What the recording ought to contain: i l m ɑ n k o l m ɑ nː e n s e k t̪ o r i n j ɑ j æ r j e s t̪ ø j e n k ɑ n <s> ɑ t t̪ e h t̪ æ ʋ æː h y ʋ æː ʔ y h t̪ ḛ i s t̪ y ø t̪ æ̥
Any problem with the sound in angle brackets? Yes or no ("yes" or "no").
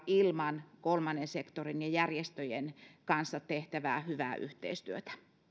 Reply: yes